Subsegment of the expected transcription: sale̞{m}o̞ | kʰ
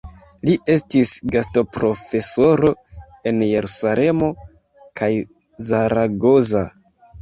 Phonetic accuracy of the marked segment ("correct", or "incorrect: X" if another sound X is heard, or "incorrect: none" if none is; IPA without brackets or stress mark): correct